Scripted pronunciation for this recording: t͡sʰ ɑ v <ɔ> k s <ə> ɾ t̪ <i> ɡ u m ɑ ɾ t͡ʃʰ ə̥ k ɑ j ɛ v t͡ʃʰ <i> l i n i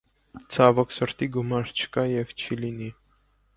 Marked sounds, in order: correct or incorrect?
correct, correct, correct, correct

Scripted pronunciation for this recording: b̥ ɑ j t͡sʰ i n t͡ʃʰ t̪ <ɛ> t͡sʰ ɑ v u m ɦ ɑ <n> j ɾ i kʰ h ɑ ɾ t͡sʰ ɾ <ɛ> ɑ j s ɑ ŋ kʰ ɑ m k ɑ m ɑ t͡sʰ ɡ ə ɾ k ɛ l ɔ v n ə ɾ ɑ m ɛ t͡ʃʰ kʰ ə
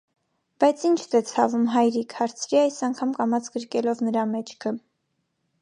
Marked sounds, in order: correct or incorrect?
correct, incorrect, incorrect

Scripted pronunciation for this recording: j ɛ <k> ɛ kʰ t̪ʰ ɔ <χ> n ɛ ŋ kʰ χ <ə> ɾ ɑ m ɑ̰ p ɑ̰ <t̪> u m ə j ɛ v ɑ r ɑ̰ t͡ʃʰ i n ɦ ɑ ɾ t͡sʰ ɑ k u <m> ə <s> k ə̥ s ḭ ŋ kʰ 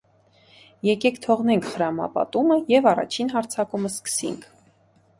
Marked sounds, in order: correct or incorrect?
correct, incorrect, correct, correct, correct, correct

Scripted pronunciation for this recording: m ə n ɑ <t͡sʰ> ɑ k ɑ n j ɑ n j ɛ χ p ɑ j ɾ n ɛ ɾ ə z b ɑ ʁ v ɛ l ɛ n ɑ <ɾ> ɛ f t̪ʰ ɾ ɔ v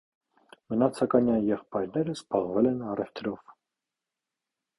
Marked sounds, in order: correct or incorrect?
correct, incorrect

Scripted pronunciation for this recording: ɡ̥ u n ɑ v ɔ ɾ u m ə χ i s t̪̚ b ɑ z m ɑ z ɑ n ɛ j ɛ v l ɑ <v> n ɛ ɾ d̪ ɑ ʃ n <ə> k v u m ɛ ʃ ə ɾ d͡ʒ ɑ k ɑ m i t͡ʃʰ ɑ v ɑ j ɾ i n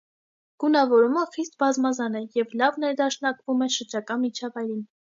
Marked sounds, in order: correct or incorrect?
correct, incorrect

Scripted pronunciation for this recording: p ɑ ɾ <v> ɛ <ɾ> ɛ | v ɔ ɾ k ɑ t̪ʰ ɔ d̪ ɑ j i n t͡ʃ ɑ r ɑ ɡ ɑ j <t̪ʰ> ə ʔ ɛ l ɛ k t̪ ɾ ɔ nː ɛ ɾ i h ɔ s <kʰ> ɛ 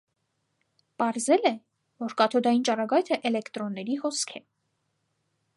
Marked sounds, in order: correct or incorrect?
incorrect, incorrect, correct, correct

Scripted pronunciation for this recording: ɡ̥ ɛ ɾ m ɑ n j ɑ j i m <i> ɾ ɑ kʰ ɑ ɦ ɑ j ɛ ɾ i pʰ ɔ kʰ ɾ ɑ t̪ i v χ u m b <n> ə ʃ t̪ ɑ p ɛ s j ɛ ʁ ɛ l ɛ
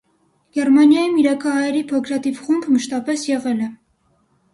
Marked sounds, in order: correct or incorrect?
correct, incorrect

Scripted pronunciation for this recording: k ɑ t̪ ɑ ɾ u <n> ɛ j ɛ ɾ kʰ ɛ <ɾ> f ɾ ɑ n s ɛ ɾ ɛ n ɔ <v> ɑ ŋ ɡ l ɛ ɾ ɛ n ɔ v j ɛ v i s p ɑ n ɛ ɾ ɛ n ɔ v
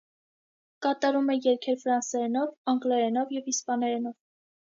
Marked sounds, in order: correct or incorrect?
incorrect, correct, correct

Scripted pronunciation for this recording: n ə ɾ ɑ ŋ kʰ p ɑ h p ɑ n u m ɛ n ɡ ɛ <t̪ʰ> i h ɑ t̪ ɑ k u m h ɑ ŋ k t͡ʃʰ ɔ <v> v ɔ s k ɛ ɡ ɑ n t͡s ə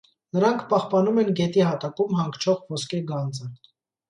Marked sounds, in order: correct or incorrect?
incorrect, incorrect

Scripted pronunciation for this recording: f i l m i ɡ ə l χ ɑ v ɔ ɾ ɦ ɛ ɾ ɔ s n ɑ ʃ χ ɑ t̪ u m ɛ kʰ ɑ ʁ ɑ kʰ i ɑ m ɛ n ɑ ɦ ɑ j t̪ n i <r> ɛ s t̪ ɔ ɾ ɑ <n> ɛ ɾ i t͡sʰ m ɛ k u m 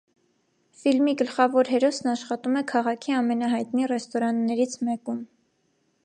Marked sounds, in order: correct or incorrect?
correct, incorrect

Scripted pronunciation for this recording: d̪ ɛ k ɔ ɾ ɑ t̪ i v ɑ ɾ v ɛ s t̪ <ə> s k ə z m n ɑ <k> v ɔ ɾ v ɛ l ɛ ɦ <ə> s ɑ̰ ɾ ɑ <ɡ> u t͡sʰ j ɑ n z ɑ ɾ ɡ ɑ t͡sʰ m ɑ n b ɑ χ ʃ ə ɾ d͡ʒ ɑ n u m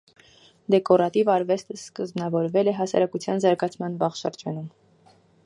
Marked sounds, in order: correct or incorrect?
correct, incorrect, incorrect, incorrect

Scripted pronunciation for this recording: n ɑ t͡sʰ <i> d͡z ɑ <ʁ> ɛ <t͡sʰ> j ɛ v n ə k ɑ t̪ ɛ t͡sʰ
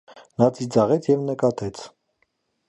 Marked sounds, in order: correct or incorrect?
correct, correct, correct

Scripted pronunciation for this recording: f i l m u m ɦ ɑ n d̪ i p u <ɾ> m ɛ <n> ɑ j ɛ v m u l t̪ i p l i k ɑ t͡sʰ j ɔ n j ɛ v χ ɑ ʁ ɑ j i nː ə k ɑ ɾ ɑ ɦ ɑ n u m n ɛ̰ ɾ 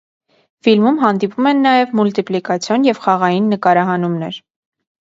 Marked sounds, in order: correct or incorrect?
incorrect, incorrect

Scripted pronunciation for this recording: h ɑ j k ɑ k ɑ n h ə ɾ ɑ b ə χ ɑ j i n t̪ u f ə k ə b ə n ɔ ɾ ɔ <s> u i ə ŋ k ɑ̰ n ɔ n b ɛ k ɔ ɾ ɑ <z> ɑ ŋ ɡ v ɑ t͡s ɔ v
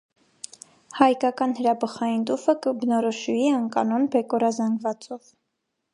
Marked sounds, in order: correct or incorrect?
incorrect, correct

